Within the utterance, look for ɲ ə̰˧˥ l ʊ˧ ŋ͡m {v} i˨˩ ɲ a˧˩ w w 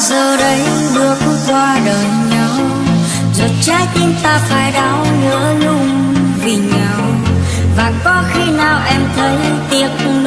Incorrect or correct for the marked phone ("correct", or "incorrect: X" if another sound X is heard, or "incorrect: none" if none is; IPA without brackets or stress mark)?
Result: correct